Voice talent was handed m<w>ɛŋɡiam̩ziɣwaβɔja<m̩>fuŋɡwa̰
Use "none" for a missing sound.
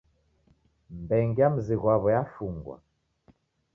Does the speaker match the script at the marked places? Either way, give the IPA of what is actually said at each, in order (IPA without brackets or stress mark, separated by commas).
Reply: b, none